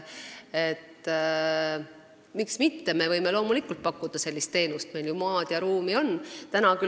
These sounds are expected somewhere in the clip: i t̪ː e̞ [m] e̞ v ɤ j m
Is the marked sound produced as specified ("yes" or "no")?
yes